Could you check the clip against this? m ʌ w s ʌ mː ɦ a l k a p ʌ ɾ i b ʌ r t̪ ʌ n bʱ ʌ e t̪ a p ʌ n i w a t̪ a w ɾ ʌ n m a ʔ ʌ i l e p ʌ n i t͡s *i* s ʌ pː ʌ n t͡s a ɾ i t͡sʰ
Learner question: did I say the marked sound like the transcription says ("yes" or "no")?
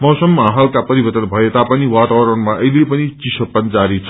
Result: yes